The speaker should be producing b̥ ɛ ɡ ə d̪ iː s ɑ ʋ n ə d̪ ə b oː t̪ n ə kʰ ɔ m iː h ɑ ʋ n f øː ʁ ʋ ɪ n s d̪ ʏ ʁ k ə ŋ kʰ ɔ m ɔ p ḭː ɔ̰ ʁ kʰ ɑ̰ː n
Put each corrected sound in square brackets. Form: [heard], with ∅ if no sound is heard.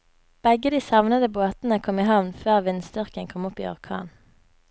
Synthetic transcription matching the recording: b̥ ɛ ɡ ə d̪ iː s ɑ ʋ n ə d̪ ə b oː t̪ n ə kʰ ɔ m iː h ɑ ʋ n f øː ʁ ʋ ɪ n s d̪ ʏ ʁ k ə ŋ kʰ ɔ m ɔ p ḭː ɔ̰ ʁ kʰ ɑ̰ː n

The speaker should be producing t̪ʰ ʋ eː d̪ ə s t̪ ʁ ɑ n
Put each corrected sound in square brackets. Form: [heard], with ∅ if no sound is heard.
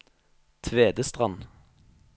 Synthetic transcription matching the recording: t̪ʰ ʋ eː d̪ ə s t̪ ʁ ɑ n

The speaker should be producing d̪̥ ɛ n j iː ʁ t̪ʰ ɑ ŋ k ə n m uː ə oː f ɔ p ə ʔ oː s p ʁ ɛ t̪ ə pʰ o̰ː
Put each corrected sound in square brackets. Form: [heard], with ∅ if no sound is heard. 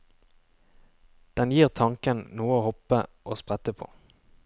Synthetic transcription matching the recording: d̪̥ ɛ n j iː ʁ t̪ʰ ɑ ŋ k ə n [n] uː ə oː [h] ɔ p ə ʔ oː s p ʁ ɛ t̪ ə pʰ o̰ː

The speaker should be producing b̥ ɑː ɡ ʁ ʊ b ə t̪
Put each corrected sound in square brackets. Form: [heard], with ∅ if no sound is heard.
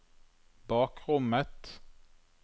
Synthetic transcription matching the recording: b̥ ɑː [k] ʁ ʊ [m] ə t̪

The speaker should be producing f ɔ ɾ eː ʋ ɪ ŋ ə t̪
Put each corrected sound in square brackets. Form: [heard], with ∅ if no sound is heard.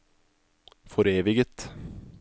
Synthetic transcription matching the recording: f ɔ ɾ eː ʋ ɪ [ɡ] ə t̪

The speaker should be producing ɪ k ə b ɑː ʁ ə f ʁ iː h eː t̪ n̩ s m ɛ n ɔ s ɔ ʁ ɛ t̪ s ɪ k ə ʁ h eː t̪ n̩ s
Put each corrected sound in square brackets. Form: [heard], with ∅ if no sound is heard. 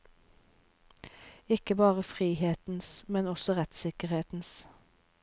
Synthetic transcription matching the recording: ɪ k ə b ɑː ʁ ə f ʁ iː h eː t̪ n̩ s m ɛ n ɔ s ɔ ʁ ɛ t̪ s ɪ k ə ʁ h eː t̪ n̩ s

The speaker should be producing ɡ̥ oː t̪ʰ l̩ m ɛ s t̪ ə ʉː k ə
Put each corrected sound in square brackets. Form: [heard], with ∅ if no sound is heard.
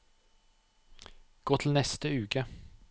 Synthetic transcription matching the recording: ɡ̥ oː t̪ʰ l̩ [n] ɛ s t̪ ə ʉː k ə

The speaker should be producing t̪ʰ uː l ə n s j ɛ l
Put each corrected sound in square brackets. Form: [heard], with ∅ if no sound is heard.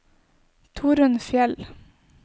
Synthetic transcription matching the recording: t̪ʰ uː [ɾ] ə n [f] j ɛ l

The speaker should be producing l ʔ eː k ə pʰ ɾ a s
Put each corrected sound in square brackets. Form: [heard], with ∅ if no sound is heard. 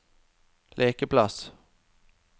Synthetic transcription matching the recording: l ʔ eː k ə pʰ [l] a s

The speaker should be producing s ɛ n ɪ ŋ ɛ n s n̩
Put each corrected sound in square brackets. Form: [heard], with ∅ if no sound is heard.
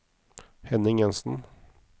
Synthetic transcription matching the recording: [h] ɛ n ɪ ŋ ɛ n s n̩

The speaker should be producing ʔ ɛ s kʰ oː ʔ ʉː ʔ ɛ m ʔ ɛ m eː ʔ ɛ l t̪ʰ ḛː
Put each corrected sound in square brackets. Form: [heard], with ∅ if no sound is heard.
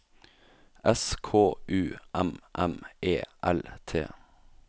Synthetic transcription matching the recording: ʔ ɛ s kʰ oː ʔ ʉː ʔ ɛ m ʔ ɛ m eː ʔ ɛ l t̪ʰ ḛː

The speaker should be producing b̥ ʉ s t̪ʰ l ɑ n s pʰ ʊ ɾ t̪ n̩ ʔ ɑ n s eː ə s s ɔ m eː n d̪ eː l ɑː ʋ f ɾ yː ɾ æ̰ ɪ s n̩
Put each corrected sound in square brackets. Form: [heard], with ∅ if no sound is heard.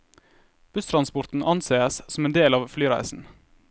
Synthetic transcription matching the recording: b̥ ʉ s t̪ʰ [ɾ] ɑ n s [p] ʊ ɾ t̪ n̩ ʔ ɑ n s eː ə s s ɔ m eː n d̪ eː l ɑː ʋ f [l] yː ɾ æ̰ ɪ s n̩

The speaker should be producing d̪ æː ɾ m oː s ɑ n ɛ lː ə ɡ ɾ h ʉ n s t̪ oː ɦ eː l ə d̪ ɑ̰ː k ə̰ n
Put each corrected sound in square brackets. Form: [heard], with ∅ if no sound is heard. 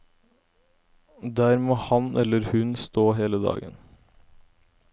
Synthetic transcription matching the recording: d̪ æː ɾ m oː [h] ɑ n ɛ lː ə [∅] ɾ h ʉ n s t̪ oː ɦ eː l ə d̪ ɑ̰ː [ɡ] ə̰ n

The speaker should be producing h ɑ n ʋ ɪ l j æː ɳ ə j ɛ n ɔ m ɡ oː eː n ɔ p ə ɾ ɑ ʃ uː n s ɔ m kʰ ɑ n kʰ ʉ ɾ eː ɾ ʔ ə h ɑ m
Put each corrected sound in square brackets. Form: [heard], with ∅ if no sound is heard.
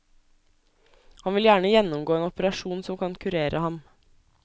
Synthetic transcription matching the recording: h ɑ n ʋ ɪ l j æː ɳ ə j ɛ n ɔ m ɡ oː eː n ɔ p ə ɾ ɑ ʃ uː n s ɔ m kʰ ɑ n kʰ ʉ ɾ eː ɾ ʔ ə h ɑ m

